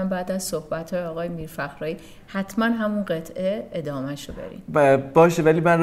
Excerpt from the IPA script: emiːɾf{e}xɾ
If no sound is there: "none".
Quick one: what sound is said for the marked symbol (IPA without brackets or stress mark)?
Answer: æ